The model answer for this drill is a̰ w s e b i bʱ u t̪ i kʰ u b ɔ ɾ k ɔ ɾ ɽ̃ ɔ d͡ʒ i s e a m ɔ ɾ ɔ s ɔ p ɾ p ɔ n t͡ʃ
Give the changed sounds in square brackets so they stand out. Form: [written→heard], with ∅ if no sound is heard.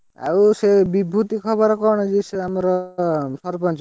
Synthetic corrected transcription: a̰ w s e b i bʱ u t̪ i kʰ [u→ɔ] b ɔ ɾ k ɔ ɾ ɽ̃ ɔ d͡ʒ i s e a m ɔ ɾ ɔ s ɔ [p→∅] ɾ p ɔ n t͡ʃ